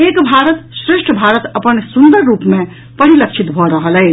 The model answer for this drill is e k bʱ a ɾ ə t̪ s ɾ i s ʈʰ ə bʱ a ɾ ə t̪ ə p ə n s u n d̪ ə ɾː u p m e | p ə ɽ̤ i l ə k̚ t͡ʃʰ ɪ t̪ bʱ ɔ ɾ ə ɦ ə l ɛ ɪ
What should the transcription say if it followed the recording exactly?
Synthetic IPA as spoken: e k bʱ a ɾ ə t̪ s ɾ e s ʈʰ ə bʱ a ɾ ə t̪ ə p ə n s u n d̪ ə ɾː u p m e | p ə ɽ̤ i l ə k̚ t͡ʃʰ i t̪ bʱ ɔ ɾ ə ɦ ə l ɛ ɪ

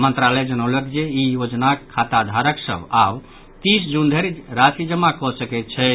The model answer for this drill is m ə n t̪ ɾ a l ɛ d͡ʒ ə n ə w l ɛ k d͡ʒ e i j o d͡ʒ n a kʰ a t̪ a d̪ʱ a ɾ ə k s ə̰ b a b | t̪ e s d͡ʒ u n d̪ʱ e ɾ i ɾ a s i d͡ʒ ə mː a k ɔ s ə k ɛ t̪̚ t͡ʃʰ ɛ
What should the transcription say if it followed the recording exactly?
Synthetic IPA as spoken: m ə n t̪ ɾ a l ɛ d͡ʒ ə n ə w l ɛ k d͡ʒ e i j o d͡ʒ n a kʰ a t̪ a d̪ʱ a ɾ ə k s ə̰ b a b | t̪ i s d͡ʒ u n d̪ʱ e ɾ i ɾ a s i d͡ʒ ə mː a k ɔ s ə k ɛ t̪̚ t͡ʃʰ ɛ

